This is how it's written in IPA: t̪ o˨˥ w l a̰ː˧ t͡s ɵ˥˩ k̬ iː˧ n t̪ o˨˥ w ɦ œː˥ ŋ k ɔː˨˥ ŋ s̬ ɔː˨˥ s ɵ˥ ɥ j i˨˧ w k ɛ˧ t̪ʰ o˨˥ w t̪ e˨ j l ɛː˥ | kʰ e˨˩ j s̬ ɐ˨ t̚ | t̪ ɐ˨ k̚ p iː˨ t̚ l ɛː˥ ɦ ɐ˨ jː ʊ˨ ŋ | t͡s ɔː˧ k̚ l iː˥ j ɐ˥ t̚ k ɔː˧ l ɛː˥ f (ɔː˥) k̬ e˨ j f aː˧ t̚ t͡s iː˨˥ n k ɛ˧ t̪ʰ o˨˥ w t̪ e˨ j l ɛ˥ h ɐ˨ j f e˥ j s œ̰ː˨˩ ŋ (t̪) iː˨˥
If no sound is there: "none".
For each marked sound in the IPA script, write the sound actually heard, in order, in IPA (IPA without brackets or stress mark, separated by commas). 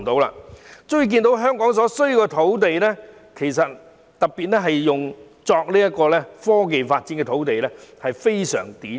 ɔː˥, t̪